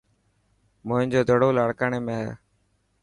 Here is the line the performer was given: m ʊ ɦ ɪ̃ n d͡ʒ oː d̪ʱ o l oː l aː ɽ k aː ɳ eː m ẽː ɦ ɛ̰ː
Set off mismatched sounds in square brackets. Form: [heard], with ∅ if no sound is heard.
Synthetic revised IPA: m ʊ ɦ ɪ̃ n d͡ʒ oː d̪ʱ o [ɽ] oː l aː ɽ k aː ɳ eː m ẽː ɦ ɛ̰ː